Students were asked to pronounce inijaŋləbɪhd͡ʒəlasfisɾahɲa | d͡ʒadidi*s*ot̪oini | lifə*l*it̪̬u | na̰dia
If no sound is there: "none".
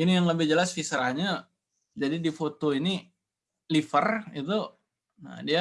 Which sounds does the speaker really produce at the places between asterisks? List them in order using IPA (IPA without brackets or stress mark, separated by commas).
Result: f, r